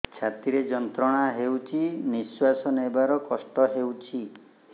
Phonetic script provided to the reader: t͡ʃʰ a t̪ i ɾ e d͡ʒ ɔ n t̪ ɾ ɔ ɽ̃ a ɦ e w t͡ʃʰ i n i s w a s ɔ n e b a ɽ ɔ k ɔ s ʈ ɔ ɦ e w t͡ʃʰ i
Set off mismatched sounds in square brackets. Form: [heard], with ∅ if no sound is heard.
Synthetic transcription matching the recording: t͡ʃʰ a t̪ i ɾ e d͡ʒ ɔ n t̪ ɾ ɔ ɽ̃ a ɦ e w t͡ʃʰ i n i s w a s ɔ n e b a [ɾ] ɔ k ɔ s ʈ ɔ ɦ e w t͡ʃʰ i